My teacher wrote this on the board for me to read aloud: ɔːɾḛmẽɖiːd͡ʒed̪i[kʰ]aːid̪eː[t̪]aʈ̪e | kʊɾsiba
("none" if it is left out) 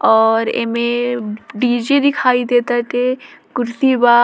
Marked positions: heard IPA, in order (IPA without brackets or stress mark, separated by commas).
kʰ, t̪